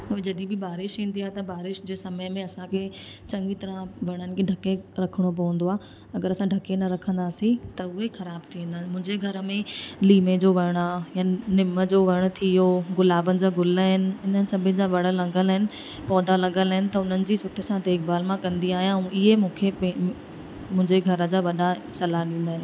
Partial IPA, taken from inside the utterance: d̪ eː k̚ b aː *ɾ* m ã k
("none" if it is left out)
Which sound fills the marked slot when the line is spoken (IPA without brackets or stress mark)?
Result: l